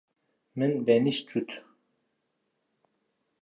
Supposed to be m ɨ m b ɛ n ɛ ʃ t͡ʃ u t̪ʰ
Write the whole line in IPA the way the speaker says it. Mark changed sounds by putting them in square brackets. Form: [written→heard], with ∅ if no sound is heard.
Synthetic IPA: m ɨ [m→n] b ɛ n [ɛ→i] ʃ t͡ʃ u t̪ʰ